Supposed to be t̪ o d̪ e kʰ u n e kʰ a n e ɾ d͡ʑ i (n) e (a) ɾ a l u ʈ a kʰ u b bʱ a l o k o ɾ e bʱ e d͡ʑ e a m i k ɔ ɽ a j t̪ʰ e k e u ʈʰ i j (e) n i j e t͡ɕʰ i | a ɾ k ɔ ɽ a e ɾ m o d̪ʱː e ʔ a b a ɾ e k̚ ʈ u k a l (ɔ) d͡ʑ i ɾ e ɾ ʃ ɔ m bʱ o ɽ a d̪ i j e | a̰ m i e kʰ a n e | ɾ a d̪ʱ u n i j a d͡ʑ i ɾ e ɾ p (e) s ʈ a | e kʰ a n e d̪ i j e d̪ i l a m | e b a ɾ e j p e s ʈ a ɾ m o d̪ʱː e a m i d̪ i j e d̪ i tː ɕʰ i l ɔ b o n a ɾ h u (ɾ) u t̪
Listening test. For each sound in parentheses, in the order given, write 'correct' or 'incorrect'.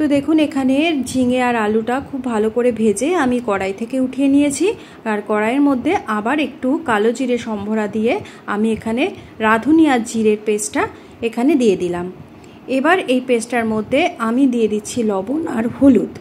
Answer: incorrect, correct, correct, incorrect, correct, incorrect

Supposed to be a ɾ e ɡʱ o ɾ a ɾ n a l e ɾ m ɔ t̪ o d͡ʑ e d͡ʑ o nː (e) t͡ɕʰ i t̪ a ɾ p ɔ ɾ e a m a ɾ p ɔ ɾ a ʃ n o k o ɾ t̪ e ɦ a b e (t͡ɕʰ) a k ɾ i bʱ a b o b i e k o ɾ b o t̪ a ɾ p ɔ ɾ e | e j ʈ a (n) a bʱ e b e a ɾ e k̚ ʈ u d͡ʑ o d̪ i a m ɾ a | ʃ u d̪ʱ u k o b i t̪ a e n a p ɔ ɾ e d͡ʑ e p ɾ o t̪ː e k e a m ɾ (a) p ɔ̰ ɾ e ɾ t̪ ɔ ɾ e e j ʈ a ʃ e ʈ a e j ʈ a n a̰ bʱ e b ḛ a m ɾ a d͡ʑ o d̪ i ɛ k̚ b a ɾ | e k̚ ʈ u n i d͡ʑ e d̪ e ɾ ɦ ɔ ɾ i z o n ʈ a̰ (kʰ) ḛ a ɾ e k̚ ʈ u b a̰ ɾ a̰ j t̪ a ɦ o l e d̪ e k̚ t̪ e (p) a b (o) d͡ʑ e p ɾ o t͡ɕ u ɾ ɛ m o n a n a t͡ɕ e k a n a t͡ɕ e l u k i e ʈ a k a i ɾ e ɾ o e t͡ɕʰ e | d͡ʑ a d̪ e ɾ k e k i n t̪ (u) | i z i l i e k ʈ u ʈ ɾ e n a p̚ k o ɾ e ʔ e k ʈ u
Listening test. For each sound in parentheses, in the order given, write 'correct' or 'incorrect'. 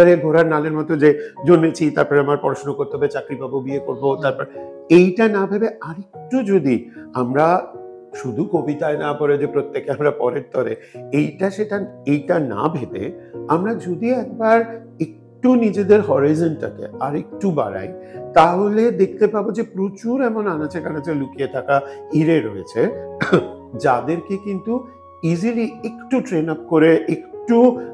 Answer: correct, incorrect, correct, correct, incorrect, correct, correct, correct

